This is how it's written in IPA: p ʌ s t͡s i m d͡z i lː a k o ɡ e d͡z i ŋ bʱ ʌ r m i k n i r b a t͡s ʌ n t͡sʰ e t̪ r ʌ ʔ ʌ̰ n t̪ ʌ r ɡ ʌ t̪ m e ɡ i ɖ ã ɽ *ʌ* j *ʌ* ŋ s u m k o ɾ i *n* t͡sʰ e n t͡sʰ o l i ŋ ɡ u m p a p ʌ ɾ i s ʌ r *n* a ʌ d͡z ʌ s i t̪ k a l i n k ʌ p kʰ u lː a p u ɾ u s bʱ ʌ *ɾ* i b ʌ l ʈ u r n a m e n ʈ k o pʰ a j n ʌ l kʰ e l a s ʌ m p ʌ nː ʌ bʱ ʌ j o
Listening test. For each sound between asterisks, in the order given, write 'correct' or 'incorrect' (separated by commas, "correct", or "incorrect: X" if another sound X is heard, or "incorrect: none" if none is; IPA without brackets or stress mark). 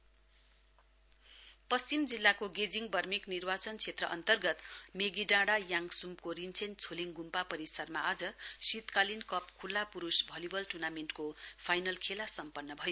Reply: incorrect: a, incorrect: a, correct, incorrect: m, incorrect: l